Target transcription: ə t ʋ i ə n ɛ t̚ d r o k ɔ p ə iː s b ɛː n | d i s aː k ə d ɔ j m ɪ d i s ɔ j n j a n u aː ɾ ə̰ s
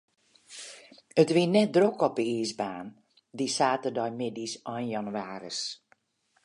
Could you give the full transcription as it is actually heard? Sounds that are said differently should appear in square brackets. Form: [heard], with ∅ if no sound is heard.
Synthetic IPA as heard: ə t ʋ i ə n ɛ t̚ d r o k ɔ p ə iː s b [aː] n | d i s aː [t] ə d ɔ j m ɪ d i s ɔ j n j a n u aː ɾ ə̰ s